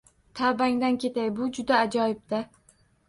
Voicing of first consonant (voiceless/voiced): voiceless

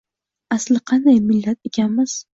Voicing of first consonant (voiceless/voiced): voiceless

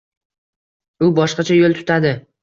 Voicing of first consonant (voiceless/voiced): voiced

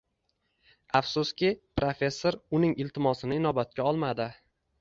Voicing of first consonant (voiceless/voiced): voiceless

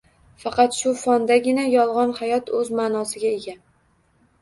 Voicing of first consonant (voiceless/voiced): voiceless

